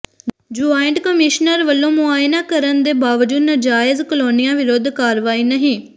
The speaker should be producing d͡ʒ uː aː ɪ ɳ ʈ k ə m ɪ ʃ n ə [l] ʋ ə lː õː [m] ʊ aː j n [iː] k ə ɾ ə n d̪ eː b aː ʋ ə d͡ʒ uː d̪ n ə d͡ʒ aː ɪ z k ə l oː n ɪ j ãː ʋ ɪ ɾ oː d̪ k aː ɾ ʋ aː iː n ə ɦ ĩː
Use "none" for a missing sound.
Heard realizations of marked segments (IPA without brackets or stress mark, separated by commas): ɾ, m, aː